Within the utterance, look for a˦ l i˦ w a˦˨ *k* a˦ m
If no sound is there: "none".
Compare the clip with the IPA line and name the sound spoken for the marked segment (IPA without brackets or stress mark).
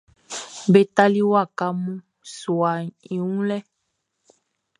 k